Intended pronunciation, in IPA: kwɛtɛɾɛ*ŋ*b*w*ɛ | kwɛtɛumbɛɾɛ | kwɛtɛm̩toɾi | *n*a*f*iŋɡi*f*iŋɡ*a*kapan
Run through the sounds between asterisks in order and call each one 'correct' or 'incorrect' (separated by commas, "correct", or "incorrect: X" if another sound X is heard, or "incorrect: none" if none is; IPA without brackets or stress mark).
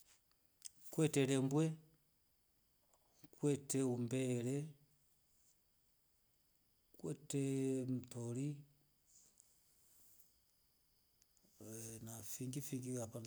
incorrect: m, correct, correct, correct, correct, incorrect: i